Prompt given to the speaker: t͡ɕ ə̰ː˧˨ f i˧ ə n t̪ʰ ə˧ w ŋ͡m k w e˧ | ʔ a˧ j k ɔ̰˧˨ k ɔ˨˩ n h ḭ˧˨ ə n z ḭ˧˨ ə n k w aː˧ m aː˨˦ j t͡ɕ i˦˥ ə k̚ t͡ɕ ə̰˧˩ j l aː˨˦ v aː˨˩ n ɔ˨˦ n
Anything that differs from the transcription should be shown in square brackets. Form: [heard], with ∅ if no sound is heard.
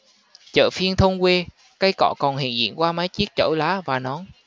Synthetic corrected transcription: t͡ɕ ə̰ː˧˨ f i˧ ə n t̪ʰ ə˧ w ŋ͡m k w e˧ | [k] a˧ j k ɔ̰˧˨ k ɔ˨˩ n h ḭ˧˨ ə n z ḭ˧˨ ə n k w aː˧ m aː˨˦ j t͡ɕ i˦˥ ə k̚ t͡ɕ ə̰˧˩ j l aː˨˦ v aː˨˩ n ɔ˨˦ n